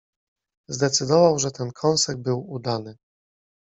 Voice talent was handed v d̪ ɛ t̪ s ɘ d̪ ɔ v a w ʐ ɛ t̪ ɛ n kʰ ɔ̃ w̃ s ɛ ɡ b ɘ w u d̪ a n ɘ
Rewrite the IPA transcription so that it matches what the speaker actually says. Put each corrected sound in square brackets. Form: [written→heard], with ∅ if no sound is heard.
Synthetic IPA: [v→z] d̪ ɛ t̪ s ɘ d̪ ɔ v a w ʐ ɛ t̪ ɛ n kʰ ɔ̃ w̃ s ɛ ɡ b ɘ w u d̪ a n ɘ